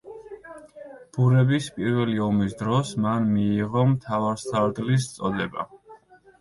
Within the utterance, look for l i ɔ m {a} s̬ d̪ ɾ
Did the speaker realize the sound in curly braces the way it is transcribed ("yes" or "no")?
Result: no